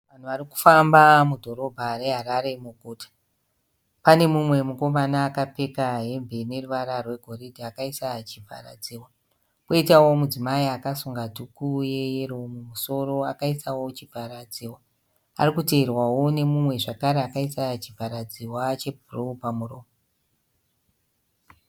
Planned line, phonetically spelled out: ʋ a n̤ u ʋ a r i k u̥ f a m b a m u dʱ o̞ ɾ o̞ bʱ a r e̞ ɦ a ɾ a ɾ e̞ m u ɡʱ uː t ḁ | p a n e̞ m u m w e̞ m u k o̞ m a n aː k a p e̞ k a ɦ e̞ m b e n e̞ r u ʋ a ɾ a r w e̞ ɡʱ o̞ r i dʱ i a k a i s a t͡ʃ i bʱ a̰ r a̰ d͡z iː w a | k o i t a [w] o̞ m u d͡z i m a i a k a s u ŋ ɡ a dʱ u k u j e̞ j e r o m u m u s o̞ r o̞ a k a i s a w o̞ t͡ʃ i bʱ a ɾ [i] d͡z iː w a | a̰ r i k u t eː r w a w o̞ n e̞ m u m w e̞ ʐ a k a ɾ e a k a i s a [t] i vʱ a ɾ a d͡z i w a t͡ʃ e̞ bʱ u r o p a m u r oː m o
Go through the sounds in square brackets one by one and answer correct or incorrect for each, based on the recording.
correct, incorrect: a, incorrect: t͡ʃ

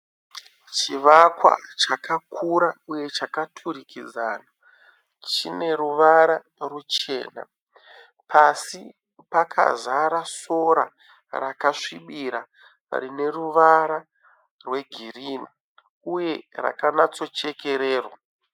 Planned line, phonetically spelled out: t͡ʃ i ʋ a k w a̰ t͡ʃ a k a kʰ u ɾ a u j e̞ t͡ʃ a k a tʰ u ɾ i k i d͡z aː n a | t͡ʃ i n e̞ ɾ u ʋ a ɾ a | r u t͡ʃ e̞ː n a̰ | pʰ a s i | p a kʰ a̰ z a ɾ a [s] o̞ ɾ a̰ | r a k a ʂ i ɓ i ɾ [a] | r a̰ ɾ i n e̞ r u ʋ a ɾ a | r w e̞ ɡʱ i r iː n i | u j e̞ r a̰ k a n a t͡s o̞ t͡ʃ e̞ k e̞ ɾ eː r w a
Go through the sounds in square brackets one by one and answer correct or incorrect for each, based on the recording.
correct, correct

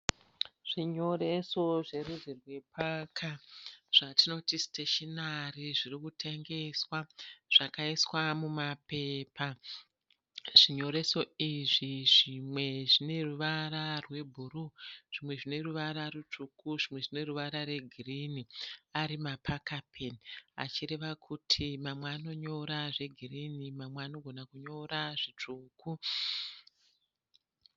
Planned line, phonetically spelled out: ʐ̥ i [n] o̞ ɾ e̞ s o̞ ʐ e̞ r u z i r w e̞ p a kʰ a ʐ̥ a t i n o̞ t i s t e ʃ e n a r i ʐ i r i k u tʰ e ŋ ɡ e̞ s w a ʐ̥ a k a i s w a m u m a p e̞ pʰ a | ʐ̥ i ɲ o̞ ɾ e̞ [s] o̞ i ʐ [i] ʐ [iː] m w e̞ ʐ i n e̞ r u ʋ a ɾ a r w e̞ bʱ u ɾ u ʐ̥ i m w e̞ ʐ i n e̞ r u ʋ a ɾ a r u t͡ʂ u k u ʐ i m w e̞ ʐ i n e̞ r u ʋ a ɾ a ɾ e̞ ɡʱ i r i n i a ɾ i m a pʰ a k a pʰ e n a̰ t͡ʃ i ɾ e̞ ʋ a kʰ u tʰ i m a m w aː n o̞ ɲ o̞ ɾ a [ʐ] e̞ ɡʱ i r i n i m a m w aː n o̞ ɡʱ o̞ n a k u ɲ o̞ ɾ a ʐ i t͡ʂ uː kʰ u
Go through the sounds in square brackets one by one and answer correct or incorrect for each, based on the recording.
incorrect: ɲ, correct, correct, incorrect: i, correct

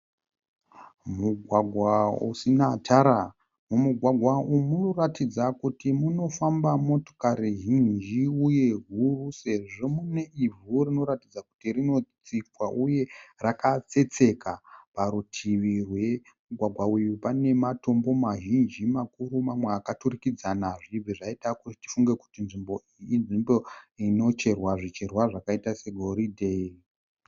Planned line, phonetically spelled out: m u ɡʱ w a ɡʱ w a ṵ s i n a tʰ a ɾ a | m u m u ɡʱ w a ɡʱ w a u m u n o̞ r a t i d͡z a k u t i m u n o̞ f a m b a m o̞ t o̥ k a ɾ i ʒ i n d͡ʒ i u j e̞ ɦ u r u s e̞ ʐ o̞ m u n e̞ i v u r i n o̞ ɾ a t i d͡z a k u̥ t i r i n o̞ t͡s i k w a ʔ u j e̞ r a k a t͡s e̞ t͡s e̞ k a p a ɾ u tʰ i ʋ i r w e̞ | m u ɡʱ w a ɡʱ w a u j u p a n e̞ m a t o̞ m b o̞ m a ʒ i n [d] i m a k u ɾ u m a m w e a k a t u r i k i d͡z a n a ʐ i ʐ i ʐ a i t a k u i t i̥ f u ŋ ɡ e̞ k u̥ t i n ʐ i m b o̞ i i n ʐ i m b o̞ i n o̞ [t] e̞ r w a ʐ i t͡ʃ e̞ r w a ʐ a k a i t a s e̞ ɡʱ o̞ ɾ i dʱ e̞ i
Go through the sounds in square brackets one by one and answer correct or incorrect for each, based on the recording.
incorrect: d͡ʒ, incorrect: t͡ʃ

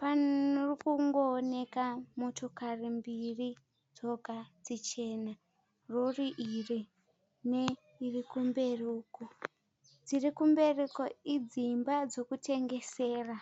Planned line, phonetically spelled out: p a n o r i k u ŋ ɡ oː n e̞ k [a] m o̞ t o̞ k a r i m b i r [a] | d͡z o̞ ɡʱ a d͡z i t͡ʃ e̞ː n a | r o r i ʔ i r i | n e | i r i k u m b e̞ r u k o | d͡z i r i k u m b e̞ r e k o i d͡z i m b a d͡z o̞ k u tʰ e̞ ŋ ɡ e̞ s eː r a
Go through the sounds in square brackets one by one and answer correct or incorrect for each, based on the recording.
correct, incorrect: i

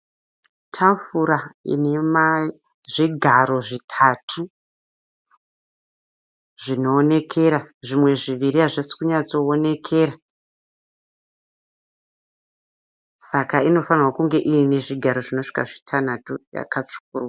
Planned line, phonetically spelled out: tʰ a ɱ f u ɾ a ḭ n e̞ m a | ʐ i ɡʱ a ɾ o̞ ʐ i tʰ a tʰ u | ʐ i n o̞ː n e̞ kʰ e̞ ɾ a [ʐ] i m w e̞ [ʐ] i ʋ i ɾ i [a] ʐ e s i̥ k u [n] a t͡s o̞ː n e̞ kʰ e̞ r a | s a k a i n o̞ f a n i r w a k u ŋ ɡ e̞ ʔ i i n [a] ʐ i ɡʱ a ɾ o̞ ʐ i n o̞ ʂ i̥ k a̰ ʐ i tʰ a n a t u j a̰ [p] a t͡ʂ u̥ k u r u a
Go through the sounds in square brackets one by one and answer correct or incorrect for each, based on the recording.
correct, correct, correct, incorrect: ɲ, incorrect: e, incorrect: k

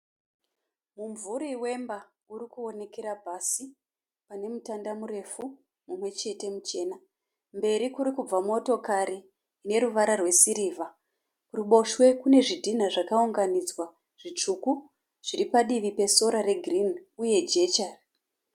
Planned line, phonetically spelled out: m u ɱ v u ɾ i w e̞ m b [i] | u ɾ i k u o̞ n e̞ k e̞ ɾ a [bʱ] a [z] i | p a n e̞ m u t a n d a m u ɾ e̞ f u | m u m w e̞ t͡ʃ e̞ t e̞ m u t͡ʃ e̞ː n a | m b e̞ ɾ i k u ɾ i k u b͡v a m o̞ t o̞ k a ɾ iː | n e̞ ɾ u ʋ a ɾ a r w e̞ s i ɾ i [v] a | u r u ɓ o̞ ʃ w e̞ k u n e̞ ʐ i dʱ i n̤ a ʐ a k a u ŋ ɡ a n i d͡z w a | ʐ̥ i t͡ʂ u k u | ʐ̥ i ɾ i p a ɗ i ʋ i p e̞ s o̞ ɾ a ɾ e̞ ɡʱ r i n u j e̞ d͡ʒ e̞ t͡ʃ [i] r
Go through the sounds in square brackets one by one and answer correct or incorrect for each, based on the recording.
incorrect: a, correct, incorrect: s, correct, incorrect: a

